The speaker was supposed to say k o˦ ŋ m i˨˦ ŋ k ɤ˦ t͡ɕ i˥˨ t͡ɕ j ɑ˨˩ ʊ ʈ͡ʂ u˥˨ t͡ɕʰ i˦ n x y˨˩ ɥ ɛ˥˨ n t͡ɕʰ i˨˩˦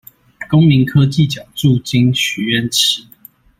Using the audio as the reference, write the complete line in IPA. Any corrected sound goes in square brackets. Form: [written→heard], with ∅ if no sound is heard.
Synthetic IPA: k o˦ ŋ m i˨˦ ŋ [k→kʰ] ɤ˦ t͡ɕ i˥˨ t͡ɕ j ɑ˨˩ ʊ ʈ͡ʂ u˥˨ [t͡ɕʰ→t͡ɕ] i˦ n [x→ɕ] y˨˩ ɥ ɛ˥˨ n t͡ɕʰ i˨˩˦

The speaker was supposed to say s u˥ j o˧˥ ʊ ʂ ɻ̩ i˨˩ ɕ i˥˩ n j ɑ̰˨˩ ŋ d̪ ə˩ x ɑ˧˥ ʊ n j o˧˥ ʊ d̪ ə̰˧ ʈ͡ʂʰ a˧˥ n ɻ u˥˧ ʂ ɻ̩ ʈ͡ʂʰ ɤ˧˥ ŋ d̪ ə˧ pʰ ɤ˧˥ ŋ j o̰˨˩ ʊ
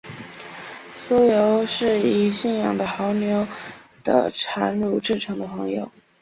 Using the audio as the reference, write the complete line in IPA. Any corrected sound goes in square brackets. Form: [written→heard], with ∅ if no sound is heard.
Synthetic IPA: s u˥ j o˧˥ ʊ ʂ ɻ̩ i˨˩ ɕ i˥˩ n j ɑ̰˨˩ ŋ d̪ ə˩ x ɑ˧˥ ʊ n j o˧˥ ʊ d̪ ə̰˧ ʈ͡ʂʰ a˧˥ n ɻ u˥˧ [ʂ→ʈ͡ʂ] ɻ̩ ʈ͡ʂʰ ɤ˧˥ ŋ d̪ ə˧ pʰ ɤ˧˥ ŋ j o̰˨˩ ʊ

